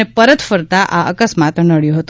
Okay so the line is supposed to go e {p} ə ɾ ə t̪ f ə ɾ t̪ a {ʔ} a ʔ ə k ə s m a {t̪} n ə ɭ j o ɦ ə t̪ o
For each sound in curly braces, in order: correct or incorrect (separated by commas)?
correct, correct, correct